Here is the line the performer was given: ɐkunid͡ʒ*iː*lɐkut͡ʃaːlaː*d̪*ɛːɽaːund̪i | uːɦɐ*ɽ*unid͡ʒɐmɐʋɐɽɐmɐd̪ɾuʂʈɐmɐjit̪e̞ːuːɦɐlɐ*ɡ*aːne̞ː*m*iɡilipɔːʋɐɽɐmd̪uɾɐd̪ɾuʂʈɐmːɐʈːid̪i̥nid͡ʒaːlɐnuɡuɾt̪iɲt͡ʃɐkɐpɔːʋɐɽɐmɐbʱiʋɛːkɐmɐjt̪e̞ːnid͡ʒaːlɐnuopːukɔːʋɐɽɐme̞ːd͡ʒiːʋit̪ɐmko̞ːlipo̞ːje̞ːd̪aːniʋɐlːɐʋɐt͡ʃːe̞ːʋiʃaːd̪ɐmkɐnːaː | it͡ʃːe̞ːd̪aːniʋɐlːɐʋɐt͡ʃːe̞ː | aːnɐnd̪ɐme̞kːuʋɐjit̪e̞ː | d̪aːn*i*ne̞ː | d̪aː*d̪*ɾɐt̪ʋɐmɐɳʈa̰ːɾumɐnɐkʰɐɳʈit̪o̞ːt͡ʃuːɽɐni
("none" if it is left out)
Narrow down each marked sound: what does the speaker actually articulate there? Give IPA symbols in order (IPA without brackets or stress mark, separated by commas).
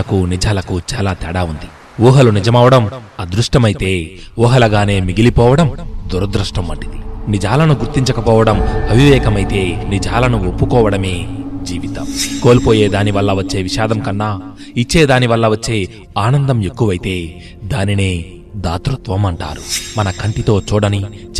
aː, t̪, l, ɡ, m, i, t̪